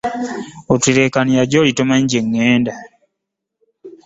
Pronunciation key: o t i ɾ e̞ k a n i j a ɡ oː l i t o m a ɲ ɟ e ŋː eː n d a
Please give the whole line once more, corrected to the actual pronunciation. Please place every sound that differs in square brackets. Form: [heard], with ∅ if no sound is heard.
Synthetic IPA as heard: o t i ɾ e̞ k a n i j a [ɟ] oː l i t o m a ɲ ɟ e ŋː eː n d a